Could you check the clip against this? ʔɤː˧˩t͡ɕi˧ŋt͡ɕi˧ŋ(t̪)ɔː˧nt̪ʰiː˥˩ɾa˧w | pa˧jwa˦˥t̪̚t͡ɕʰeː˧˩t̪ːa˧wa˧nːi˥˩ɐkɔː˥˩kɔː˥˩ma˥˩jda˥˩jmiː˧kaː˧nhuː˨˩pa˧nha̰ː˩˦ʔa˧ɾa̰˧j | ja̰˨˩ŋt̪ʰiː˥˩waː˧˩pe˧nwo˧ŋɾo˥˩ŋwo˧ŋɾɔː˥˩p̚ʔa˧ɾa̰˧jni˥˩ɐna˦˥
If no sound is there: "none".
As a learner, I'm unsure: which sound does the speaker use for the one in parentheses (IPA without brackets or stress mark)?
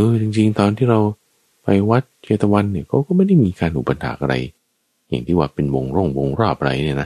t̪